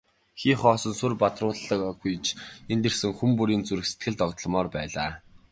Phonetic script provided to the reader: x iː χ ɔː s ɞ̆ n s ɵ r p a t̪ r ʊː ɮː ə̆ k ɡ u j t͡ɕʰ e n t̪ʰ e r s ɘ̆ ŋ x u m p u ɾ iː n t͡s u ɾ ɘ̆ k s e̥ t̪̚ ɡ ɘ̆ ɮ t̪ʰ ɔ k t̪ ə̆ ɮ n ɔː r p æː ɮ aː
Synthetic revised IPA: x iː χ ɔː s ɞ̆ n s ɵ r p a t̪ r ʊː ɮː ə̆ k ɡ u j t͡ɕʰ e n t̪ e r s ɘ̆ ŋ x u m p u ɾ iː n t͡s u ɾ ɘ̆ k s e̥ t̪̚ ɡ ɘ̆ ɮ t̪ ɔ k t̪ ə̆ ɮ m ɔː r p æː ɮ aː